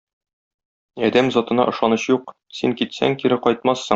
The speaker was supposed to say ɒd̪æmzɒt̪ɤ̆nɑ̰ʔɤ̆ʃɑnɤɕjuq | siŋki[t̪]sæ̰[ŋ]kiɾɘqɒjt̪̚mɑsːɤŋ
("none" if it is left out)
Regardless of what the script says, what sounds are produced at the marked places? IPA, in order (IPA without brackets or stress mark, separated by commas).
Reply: t̪, ŋ